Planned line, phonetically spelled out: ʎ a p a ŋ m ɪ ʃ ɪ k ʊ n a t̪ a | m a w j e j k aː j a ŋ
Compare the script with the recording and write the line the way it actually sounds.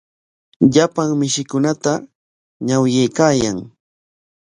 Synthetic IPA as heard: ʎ a p a ŋ m ɪ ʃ ɪ k ʊ n a t̪ a | ɲ a w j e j k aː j a ŋ